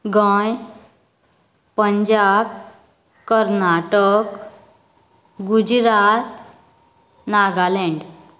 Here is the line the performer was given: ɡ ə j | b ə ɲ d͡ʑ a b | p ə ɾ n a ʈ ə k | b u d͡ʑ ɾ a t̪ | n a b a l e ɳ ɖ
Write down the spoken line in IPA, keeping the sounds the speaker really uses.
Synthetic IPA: ɡ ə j | p ə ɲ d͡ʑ a b | k ə ɾ n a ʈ ə k | ɡ u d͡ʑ ɾ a t̪ | n a ɡ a l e ɳ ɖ